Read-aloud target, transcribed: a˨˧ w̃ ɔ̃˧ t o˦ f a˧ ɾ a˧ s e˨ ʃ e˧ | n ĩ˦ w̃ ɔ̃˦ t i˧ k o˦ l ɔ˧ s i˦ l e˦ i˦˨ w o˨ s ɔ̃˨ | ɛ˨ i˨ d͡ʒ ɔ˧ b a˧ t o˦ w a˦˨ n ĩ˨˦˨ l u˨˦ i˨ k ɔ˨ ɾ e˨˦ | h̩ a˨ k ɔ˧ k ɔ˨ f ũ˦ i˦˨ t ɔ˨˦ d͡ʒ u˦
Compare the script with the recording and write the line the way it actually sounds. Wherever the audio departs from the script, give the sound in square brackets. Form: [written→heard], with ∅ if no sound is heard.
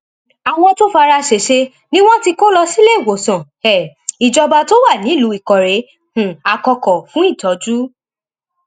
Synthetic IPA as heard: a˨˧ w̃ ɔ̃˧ t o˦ f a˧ ɾ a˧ [s→ʃ] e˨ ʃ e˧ | n ĩ˦ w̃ ɔ̃˦ t i˧ k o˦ l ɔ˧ s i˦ l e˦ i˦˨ w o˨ s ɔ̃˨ | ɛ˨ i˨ d͡ʒ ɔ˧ b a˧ t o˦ w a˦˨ n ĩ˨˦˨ l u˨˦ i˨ k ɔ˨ ɾ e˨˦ | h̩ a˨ k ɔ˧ k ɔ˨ f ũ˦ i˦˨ t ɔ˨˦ d͡ʒ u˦